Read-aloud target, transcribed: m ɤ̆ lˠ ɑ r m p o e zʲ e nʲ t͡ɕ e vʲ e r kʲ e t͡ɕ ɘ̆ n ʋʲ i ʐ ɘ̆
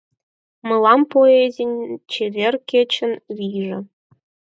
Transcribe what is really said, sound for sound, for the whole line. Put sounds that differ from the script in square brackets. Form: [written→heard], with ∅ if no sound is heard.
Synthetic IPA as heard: m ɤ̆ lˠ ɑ [r→∅] m p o e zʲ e nʲ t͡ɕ e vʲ e r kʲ e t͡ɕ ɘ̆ n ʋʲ i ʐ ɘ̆